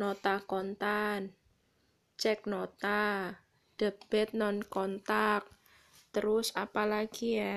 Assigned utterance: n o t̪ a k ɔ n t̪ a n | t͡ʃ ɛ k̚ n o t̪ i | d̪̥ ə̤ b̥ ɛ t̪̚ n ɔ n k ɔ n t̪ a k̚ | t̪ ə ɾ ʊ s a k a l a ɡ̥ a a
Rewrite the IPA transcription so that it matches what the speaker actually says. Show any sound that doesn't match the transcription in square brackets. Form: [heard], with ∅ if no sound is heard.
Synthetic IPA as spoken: n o t̪ a k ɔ n t̪ a n | t͡ʃ ɛ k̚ n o t̪ [a] | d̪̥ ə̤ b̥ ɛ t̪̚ n ɔ n k ɔ n t̪ a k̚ | t̪ ə ɾ ʊ s a [p] a l a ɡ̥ [i] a